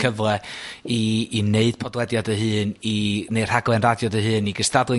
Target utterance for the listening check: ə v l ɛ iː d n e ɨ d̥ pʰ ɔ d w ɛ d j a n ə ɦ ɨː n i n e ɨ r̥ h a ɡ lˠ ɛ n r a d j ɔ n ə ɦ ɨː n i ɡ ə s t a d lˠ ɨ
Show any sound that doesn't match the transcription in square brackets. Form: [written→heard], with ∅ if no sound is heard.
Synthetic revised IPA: ə v l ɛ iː [d→∅] n e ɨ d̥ pʰ ɔ d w ɛ d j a [n→d] ə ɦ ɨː n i n e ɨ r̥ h a ɡ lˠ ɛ n r a d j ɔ [n→d] ə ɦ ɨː n i ɡ ə s t a d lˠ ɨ